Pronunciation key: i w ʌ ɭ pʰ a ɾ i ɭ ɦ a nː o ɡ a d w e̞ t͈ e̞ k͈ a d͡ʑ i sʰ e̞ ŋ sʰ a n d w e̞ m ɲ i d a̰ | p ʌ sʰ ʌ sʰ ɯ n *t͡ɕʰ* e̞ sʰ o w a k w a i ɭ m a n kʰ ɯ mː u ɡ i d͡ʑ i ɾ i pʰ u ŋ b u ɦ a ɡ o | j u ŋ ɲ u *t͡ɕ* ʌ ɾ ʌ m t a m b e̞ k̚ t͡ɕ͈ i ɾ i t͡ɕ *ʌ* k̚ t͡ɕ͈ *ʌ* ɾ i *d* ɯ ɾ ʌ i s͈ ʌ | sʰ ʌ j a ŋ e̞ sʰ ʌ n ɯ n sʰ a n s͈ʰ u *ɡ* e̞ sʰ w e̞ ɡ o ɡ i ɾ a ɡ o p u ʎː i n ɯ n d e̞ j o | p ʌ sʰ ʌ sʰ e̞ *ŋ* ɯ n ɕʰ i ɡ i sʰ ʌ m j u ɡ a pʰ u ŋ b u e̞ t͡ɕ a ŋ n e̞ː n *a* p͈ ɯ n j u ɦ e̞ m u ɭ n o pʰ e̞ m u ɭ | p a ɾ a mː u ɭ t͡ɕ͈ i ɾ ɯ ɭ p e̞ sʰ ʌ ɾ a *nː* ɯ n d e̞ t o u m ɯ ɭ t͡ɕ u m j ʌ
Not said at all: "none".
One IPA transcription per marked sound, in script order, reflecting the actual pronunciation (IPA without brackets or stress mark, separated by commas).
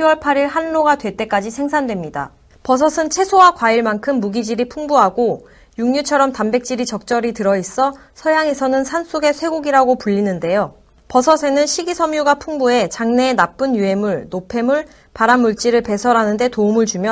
t͡ɕʰ, t͡ɕʰ, ʌ, ʌ, t, ɡ, n, a, n